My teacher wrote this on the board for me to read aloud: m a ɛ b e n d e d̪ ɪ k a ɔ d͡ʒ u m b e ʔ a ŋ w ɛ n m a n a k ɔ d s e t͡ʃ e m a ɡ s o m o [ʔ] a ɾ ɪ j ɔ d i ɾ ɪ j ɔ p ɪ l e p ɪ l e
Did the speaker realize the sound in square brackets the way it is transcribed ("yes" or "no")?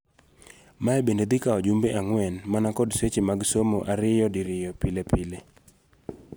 yes